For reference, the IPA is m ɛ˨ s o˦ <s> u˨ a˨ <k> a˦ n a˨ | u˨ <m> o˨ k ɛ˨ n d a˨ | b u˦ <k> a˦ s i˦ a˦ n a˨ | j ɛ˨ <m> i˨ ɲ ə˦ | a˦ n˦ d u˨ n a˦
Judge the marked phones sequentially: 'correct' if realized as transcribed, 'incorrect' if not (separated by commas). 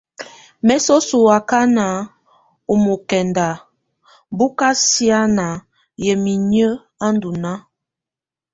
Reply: correct, correct, correct, correct, correct